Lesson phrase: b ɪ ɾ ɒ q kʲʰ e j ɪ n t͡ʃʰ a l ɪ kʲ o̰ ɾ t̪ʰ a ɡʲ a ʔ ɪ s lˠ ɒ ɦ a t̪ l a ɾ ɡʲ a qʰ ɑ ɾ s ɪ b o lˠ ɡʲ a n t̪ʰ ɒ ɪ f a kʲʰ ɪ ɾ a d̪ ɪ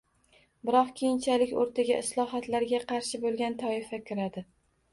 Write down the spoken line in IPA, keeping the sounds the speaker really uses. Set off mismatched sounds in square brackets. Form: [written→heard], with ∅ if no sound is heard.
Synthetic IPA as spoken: b ɪ ɾ ɒ q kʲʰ e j ɪ n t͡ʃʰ a l ɪ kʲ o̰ ɾ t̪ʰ a ɡʲ a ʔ ɪ s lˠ ɒ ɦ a t̪ l a ɾ ɡʲ a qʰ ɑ ɾ [s→ʃ] ɪ b o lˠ ɡʲ a n t̪ʰ ɒ ɪ f a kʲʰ ɪ ɾ a d̪ ɪ